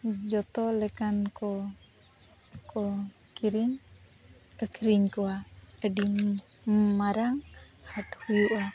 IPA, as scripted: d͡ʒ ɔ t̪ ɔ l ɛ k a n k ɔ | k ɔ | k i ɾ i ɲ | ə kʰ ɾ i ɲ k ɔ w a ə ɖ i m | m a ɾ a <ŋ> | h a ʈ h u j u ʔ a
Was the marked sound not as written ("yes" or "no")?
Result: no